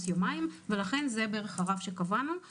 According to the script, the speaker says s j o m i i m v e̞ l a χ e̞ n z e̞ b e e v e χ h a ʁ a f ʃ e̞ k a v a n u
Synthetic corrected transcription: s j o m a i m v e̞ l a χ e̞ n z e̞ b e e ʁ e χ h a ʁ a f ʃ e̞ k a v a n u